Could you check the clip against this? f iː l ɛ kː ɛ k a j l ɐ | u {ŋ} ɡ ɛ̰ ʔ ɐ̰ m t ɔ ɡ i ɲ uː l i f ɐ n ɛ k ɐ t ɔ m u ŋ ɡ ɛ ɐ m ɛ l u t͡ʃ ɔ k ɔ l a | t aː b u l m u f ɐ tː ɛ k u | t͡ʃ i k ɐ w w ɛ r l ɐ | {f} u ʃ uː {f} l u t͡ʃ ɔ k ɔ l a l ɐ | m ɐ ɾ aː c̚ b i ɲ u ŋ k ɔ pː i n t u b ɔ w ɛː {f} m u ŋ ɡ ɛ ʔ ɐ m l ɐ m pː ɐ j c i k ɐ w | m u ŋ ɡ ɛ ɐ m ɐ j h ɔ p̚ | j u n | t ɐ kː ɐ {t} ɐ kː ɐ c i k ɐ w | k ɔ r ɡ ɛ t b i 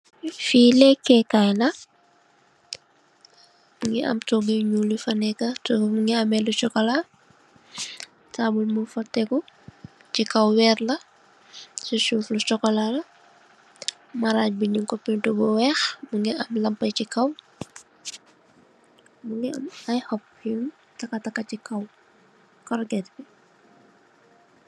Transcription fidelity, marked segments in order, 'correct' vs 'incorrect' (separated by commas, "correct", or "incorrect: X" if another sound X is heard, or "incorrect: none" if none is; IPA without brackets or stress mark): correct, incorrect: s, correct, incorrect: x, correct